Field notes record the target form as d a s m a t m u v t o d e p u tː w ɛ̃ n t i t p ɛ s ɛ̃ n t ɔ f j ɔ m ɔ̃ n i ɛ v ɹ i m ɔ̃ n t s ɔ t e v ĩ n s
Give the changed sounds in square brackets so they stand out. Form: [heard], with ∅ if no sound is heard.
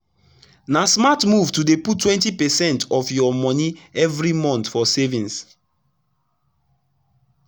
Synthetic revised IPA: [n] a s m a t m u v t [u] d e p u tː w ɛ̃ n t i [∅] p ɛ s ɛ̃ n t ɔ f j ɔ m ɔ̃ n i ɛ v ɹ i m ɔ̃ n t [f] ɔ [s] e v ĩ n s